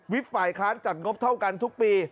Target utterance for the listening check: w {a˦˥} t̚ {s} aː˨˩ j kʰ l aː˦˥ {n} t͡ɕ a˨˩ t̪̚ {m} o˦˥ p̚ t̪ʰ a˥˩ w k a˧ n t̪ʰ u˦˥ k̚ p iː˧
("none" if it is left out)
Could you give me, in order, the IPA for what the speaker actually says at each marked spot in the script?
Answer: i˦˥, f, n, ŋ

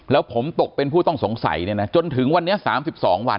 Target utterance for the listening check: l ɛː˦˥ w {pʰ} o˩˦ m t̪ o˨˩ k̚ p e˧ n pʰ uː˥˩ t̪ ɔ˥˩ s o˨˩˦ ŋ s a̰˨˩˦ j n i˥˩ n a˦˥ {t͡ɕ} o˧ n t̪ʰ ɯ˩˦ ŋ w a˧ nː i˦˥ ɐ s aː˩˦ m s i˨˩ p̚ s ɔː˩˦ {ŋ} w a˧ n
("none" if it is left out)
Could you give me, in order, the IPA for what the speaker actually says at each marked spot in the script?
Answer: pʰ, t͡ɕ, ŋ

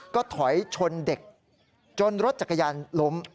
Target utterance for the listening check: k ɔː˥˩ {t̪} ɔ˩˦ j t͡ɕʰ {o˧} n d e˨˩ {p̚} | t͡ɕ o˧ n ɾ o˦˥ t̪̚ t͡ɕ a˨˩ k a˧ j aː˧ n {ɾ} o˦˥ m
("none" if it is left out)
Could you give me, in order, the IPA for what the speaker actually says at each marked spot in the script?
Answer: t̪ʰ, o˧, k̚, l

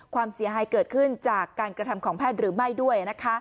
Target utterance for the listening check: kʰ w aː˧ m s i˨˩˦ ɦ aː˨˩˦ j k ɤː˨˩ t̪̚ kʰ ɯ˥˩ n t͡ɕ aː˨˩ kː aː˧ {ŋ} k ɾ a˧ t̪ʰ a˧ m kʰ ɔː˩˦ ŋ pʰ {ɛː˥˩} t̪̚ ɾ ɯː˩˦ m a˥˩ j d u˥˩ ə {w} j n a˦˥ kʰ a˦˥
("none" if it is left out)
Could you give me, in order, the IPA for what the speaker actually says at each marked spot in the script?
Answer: n, ɛː˥˩, none

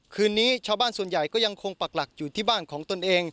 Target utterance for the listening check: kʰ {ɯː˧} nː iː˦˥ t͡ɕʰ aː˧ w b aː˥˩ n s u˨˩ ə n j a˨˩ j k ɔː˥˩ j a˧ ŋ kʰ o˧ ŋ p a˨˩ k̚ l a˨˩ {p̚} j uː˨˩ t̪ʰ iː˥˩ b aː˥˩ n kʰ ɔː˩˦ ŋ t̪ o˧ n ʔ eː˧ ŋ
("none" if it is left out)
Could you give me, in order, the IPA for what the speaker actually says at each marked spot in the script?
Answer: ɯː˧, k̚

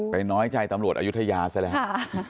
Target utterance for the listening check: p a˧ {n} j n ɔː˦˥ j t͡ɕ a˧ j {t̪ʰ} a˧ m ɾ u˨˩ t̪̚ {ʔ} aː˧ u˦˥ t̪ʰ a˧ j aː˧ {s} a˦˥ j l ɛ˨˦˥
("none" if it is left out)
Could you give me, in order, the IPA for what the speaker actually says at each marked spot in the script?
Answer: none, t̪, ʔ, s

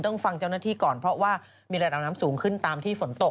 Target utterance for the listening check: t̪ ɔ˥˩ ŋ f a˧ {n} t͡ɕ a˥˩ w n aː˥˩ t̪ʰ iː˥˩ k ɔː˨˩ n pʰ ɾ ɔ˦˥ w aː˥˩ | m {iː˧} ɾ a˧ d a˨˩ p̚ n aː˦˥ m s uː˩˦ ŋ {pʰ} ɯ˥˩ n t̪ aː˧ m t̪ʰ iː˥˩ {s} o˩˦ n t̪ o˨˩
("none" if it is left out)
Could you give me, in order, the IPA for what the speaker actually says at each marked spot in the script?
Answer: ŋ, iː˧, kʰ, f

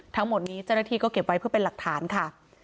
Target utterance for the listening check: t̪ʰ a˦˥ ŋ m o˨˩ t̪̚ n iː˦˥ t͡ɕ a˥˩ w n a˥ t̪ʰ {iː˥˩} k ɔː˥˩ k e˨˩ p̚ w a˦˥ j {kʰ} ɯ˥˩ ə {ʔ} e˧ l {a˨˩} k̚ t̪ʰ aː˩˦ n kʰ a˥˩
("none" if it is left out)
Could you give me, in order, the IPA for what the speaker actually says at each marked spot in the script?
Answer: iː˧, pʰ, p, a˨˩

